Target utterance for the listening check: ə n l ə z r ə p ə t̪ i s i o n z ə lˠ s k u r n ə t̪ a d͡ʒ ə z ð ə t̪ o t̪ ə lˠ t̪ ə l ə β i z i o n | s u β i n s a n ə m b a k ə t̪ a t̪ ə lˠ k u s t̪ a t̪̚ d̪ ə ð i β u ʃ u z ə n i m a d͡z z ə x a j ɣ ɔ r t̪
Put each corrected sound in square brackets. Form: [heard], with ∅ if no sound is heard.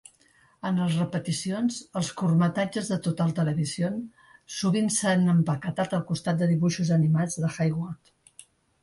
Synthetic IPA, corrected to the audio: ə n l ə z r ə p ə t̪ i s i o n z ə lˠ s k u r [m] ə t̪ a d͡ʒ ə z ð ə t̪ o t̪ ə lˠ t̪ ə l ə β i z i o n | s u β i n s a n ə m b [ə] k ə t̪ a t̪ ə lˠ k u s t̪ a t̪̚ d̪ ə ð i β u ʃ u z ə n i m a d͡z [ð] ə x a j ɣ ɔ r t̪